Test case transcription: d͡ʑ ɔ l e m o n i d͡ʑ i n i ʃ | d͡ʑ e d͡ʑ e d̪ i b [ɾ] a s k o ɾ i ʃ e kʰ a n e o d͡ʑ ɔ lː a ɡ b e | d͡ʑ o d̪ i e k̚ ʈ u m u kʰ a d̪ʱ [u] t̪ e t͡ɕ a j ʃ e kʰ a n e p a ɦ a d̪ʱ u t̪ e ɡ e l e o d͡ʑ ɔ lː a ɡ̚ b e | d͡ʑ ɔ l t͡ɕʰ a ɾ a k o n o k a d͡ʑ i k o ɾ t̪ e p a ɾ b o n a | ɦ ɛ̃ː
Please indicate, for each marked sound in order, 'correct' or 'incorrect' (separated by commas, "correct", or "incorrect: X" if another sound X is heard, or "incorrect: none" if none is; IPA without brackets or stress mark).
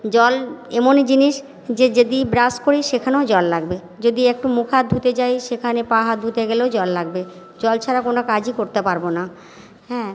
correct, correct